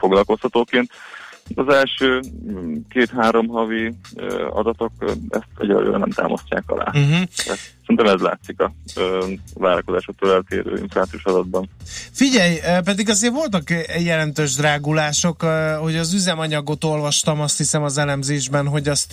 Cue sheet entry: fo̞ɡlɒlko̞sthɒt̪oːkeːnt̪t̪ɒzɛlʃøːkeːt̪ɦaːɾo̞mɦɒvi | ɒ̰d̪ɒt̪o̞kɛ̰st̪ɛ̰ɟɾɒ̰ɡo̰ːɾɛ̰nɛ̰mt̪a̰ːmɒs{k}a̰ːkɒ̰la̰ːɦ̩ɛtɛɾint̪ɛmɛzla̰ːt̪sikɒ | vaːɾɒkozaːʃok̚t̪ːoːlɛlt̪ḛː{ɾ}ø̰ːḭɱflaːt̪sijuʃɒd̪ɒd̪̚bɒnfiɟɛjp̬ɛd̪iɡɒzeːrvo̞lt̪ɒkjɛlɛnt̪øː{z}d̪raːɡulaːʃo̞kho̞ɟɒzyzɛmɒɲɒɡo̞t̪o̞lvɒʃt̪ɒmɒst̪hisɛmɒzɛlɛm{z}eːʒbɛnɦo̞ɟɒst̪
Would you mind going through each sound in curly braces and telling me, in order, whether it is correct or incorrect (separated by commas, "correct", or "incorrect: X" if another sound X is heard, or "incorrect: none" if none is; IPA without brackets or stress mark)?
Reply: incorrect: c, correct, incorrect: ʒ, correct